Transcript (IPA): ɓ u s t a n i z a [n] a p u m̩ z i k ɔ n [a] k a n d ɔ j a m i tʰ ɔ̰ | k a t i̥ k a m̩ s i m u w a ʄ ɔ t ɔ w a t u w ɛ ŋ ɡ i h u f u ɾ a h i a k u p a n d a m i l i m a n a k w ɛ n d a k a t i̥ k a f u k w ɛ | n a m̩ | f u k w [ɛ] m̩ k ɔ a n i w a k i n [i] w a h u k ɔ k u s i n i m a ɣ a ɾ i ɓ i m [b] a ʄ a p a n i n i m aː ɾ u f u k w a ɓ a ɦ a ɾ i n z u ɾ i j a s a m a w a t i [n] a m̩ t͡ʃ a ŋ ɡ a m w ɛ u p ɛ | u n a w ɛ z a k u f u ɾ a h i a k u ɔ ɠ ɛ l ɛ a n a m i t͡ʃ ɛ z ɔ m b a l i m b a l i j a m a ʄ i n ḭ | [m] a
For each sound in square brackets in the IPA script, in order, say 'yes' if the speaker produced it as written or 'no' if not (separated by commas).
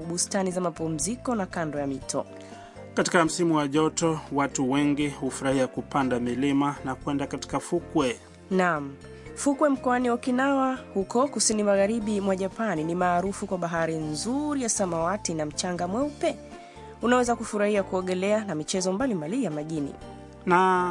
no, yes, yes, no, no, yes, no